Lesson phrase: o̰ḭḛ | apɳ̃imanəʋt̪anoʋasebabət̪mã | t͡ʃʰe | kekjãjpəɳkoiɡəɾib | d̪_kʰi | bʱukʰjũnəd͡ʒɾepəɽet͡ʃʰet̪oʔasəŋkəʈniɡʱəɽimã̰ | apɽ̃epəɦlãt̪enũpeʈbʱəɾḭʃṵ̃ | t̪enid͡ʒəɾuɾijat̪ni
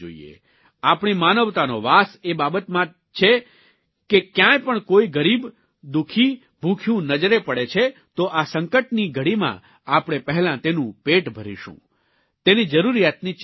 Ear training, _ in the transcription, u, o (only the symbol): u